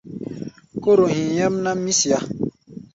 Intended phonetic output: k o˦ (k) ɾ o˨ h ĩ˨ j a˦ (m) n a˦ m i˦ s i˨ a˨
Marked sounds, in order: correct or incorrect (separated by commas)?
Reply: incorrect, correct